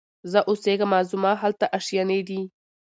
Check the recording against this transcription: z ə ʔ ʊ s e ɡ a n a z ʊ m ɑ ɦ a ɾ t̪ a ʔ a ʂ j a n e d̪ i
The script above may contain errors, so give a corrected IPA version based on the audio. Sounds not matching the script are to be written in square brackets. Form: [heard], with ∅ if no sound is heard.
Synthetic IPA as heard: z ə ʔ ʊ s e ɡ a [m] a z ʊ m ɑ ɦ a [l] t̪ a ʔ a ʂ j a n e d̪ i